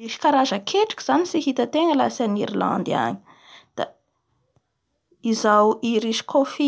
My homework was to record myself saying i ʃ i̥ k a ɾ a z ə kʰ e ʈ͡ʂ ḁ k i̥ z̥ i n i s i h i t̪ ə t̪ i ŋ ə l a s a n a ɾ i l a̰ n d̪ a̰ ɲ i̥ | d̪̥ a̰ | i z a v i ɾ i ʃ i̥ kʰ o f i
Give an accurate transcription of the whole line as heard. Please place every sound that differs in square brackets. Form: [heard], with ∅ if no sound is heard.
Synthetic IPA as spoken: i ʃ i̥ k a ɾ a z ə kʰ e ʈ͡ʂ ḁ k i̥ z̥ [a] n i s i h i t̪ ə t̪ [e] ŋ ə l a s a n [i] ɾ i l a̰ n d̪ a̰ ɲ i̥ | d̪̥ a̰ | i z a [w] i ɾ i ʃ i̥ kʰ o f i